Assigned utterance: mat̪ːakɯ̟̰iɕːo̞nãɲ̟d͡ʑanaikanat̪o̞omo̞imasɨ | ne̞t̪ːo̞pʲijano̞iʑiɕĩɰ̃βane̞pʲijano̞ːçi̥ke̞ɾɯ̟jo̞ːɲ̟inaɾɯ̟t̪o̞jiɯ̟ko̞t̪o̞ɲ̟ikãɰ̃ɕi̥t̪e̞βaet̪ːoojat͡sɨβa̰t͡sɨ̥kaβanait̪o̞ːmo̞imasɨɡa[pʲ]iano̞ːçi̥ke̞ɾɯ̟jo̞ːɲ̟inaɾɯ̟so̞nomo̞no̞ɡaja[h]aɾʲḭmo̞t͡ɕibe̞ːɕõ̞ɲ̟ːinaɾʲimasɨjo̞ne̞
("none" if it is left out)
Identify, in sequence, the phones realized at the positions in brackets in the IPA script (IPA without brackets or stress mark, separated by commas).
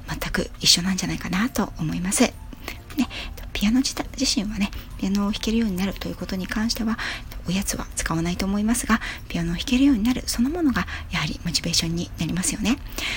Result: pʲ, h